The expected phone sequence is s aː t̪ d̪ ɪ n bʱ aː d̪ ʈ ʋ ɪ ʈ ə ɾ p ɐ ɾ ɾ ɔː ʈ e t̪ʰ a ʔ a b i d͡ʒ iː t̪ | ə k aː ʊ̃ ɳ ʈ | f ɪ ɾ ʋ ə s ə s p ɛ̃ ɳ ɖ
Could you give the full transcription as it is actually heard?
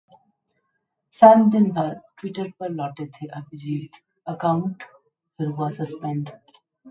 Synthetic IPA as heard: s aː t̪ d̪ ɪ n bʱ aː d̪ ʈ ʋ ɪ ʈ ə ɾ p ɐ ɾ l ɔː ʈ e t̪ʰ e ʔ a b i d͡ʒ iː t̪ | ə k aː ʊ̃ ɳ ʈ | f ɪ ɾ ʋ a s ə s p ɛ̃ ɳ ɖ